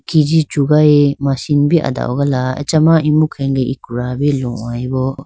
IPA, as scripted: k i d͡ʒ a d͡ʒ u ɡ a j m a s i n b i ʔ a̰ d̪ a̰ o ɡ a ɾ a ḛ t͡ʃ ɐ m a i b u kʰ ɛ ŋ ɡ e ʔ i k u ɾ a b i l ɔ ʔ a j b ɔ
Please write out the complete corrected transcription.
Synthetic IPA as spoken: k i d͡ʒ i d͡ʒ u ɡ a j m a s i n b i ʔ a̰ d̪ a̰ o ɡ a l a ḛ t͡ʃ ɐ m a i m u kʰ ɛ ŋ ɡ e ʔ i k u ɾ a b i l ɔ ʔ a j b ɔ